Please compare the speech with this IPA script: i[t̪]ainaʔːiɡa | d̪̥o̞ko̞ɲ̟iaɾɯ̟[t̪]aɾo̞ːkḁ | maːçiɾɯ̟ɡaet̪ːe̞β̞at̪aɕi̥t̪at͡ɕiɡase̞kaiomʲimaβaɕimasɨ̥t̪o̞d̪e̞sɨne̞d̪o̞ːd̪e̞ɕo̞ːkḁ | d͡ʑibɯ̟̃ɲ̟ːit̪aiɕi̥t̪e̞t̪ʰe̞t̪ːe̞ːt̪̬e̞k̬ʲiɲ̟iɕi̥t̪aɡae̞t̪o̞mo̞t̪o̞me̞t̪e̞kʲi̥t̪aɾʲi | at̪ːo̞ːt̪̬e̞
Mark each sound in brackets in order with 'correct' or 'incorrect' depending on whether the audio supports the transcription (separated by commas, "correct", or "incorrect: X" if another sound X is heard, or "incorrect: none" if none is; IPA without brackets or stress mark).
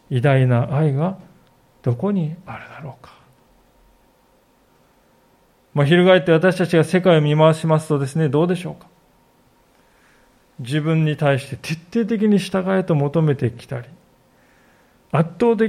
incorrect: d̪, incorrect: d̪